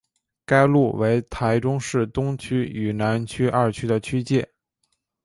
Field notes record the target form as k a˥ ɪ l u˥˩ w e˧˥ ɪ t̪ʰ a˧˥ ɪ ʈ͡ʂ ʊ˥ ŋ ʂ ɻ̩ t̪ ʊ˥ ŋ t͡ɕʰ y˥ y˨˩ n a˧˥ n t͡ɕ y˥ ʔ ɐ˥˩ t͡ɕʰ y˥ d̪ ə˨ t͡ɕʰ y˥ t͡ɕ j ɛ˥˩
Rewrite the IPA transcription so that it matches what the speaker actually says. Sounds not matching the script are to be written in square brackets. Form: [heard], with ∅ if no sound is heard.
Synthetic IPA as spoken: k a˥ ɪ l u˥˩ w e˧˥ ɪ t̪ʰ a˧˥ ɪ ʈ͡ʂ ʊ˥ ŋ ʂ ɻ̩ t̪ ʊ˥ ŋ t͡ɕʰ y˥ y˨˩ n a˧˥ n [t͡ɕʰ] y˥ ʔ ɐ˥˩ t͡ɕʰ y˥ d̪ ə˨ t͡ɕʰ y˥ t͡ɕ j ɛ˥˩

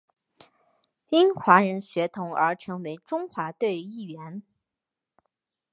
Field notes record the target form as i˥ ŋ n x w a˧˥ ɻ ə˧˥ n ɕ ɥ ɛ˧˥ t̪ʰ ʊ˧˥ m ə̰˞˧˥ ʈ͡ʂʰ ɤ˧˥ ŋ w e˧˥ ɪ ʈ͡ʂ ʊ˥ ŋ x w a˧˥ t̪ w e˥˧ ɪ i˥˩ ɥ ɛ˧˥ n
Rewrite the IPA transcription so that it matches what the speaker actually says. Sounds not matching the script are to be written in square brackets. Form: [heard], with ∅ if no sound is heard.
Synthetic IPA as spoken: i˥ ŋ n x w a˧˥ ɻ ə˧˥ n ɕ ɥ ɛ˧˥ t̪ʰ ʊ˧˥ [ŋ] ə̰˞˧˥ ʈ͡ʂʰ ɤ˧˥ ŋ w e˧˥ ɪ ʈ͡ʂ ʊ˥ ŋ x w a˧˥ t̪ w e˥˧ ɪ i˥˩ ɥ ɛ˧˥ n

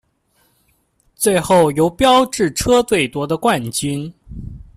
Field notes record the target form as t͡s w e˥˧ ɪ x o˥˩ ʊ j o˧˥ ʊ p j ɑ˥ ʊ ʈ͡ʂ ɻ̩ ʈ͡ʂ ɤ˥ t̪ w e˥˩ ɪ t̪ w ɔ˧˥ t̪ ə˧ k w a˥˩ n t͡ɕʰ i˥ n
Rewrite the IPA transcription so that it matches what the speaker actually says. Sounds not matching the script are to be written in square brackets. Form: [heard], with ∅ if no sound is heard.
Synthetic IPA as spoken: t͡s w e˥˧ ɪ x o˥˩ ʊ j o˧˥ ʊ p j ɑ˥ ʊ ʈ͡ʂ ɻ̩ [ʈ͡ʂʰ] ɤ˥ t̪ w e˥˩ ɪ t̪ w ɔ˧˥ [d̪] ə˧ k w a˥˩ n [t͡ɕ] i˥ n

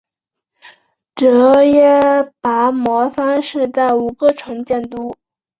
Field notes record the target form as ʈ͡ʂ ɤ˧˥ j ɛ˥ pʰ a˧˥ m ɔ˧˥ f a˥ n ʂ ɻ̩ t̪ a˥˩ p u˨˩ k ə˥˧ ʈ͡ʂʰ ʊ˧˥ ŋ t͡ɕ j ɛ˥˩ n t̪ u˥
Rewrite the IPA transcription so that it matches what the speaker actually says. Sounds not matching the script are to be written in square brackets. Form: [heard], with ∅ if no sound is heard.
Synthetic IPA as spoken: ʈ͡ʂ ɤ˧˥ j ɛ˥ [p] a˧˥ m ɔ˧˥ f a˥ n ʂ ɻ̩ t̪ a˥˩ [∅] u˨˩ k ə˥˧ ʈ͡ʂʰ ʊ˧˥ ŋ t͡ɕ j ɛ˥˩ n t̪ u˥

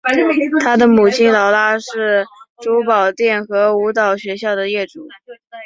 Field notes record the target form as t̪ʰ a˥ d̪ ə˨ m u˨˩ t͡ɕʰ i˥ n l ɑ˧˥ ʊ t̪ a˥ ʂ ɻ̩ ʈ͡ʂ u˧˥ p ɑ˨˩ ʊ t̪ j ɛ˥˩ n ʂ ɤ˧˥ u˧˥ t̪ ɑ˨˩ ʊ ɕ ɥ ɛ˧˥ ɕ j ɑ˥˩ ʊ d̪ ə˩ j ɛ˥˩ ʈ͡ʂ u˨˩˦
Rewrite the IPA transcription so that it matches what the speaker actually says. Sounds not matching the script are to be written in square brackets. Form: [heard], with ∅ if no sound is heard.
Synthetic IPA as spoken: t̪ʰ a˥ d̪ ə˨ m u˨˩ t͡ɕʰ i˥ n l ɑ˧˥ ʊ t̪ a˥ ʂ ɻ̩ ʈ͡ʂ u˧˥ p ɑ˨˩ ʊ t̪ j ɛ˥˩ n [x] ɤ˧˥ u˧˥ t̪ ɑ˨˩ ʊ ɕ ɥ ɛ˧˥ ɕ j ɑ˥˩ ʊ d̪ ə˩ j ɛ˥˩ ʈ͡ʂ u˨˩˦

